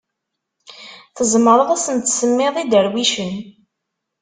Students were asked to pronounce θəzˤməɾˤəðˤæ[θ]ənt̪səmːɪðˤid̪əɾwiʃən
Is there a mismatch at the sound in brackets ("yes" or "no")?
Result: yes